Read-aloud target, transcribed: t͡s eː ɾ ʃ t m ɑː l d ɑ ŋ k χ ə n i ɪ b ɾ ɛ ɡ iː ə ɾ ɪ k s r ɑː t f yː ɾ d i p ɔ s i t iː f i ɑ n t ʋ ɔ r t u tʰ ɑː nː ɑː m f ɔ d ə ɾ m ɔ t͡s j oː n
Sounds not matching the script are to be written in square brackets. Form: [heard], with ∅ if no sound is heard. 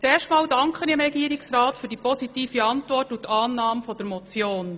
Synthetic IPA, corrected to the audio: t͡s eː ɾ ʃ t m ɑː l d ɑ ŋ k χ ə n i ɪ [m] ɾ ɛ ɡ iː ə ɾ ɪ k s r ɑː t f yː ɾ d i p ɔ s i t iː f i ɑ n t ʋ ɔ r t u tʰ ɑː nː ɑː m f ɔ d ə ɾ m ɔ t͡s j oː n

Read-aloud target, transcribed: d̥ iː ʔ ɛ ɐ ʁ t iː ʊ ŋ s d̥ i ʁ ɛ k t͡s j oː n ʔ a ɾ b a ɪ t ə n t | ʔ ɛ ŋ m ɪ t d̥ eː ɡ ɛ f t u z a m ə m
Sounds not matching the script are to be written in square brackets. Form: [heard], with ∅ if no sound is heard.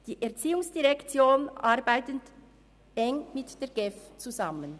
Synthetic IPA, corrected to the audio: d̥ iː ʔ ɛ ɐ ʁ [t͡s] iː ʊ ŋ s d̥ i ʁ ɛ k t͡s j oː n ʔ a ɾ b a ɪ t ə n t | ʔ ɛ ŋ m ɪ t d̥ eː ɡ ɛ f [t͡s] u z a m ə [n]

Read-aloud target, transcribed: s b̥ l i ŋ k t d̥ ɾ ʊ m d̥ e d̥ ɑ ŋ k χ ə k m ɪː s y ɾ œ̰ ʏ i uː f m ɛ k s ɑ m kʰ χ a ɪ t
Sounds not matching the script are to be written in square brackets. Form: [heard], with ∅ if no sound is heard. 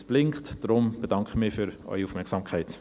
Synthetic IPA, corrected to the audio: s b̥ l [ɪ] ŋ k t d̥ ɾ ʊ m [b̥] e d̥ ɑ ŋ k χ ə [∅] m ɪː [f] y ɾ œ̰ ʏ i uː f m ɛ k s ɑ m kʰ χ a ɪ t

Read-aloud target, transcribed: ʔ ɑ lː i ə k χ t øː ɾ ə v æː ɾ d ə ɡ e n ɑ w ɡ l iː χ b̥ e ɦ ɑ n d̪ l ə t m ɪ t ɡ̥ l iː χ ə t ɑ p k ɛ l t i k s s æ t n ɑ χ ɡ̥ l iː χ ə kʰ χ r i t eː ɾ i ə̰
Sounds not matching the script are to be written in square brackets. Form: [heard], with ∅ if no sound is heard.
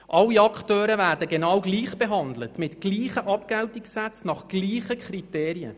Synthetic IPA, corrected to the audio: ʔ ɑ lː i [ɑ] k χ t øː ɾ ə v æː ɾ d ə ɡ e n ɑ w ɡ l iː χ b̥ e ɦ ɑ n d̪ l ə t m ɪ t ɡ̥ l iː χ ə [ʔ] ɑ p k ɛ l t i k s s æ [t͡s] n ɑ χ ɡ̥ l iː χ ə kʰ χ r i t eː ɾ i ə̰

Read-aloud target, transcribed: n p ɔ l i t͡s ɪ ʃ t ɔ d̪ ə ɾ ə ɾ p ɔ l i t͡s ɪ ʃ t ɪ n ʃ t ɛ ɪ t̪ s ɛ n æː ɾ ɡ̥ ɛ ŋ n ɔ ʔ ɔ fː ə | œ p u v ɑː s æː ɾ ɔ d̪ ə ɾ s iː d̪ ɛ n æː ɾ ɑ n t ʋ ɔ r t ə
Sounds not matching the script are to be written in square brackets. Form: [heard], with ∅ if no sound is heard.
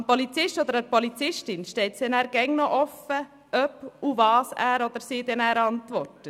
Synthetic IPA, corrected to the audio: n p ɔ l i t͡s ɪ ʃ t ɔ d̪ ə ɾ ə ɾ p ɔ l i t͡s ɪ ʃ t ɪ n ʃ t ɛ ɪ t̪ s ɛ n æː ɾ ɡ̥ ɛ ŋ n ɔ ʔ ɔ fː ə | œ p u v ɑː s æː ɾ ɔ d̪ ə ɾ s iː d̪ ɛ n æː ɾ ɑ n t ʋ ɔ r t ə

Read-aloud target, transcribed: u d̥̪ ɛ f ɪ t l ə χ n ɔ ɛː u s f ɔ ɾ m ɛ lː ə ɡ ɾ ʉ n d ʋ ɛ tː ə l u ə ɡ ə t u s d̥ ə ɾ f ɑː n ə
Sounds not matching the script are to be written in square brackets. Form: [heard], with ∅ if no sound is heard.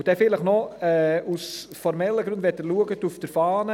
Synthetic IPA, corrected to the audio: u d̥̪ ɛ f ɪ [∅] l ə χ n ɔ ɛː u s f ɔ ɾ m ɛ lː ə ɡ ɾ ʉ n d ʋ ɛ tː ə l u ə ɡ ə t u [f] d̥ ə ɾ f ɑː n ə

